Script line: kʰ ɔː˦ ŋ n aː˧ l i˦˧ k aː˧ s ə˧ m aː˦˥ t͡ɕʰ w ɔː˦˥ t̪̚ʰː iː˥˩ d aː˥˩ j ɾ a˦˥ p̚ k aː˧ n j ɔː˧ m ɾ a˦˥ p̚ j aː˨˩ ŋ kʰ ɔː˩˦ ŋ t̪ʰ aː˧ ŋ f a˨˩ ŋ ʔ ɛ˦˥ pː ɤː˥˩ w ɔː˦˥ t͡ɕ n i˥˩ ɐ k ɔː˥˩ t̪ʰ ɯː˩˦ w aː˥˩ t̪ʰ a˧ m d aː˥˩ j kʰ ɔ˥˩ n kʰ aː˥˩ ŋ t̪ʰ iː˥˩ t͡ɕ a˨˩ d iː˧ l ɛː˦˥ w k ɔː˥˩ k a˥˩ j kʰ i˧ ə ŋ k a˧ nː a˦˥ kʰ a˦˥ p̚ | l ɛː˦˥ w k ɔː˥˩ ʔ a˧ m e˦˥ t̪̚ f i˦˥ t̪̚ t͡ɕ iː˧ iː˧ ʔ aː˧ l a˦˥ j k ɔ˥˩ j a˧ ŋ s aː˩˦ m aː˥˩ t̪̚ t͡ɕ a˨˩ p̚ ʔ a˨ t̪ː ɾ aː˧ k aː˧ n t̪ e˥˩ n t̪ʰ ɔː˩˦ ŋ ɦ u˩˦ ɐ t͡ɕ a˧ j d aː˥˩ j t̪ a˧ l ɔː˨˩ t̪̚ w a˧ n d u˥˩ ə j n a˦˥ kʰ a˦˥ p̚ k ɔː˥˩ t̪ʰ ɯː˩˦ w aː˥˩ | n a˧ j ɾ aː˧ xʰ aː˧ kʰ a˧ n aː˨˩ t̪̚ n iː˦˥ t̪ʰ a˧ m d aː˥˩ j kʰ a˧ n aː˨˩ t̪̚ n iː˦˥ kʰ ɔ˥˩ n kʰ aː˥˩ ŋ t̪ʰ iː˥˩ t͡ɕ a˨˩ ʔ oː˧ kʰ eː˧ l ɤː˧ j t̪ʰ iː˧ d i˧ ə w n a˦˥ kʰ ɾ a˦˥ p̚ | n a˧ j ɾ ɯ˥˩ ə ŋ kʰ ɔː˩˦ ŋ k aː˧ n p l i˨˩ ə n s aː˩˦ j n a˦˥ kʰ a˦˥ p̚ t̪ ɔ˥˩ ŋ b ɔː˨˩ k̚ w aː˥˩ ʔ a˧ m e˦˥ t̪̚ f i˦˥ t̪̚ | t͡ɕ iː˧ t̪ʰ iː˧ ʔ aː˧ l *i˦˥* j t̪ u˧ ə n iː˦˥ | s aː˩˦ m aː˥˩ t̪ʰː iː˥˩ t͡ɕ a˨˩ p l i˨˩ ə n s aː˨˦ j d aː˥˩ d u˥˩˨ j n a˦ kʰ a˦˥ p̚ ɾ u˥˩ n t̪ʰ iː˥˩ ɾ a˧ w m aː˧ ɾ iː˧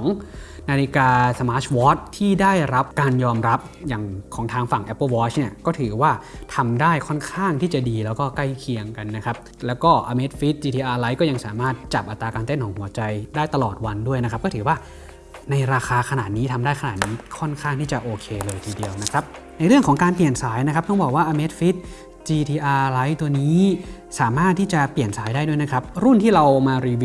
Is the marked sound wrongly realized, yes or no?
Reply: yes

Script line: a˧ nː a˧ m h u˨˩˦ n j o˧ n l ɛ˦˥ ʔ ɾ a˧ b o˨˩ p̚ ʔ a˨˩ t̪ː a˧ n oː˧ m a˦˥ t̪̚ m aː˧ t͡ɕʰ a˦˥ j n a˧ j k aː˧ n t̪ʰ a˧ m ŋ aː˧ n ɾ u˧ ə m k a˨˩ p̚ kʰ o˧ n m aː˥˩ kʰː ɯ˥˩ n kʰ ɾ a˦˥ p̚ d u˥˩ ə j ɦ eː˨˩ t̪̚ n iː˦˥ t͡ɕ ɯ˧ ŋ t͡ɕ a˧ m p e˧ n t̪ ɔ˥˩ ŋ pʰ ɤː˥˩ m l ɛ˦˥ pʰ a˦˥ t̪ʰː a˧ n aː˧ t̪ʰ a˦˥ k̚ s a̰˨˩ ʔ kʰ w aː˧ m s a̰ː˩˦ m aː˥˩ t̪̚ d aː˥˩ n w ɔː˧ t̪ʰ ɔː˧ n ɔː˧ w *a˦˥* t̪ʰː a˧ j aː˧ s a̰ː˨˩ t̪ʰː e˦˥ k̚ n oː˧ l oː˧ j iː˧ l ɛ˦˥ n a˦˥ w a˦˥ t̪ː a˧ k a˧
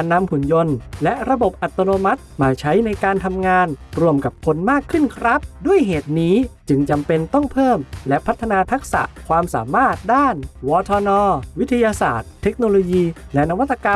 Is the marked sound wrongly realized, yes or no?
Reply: yes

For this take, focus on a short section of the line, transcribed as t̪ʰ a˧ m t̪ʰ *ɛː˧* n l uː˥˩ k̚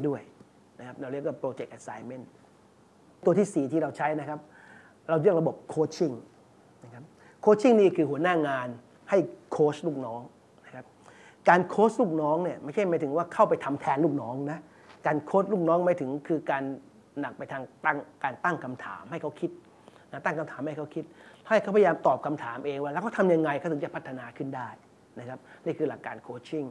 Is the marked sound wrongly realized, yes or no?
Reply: no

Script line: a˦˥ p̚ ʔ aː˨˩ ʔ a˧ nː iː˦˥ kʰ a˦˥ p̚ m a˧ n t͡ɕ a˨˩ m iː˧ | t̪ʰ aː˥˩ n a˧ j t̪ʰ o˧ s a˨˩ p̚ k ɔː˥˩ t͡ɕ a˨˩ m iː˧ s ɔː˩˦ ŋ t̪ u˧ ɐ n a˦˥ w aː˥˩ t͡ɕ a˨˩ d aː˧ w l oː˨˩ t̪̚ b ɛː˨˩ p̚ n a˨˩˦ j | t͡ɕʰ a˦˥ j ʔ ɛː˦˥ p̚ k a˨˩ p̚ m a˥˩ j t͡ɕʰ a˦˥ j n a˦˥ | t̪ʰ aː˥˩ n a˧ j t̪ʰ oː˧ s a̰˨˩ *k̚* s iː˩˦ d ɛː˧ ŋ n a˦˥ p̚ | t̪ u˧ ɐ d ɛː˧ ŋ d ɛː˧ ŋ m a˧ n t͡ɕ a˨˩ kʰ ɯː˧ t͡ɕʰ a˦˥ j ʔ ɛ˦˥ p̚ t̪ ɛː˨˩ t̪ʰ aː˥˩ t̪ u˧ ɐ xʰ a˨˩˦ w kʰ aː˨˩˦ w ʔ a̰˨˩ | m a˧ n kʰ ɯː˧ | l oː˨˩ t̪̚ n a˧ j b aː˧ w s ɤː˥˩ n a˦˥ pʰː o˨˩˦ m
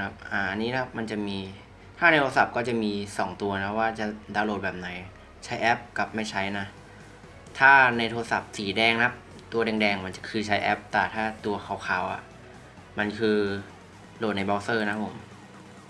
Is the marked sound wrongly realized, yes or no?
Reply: yes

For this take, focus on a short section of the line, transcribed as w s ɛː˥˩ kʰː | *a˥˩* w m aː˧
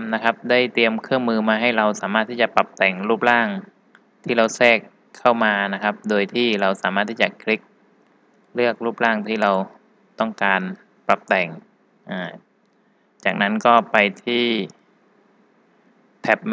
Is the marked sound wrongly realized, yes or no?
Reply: no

